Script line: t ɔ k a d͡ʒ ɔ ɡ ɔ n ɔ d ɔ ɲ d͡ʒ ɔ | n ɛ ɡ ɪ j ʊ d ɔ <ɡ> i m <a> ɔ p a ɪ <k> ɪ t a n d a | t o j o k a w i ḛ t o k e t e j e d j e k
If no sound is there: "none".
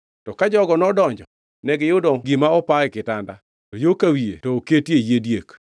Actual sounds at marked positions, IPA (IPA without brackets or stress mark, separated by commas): ɡ, a, k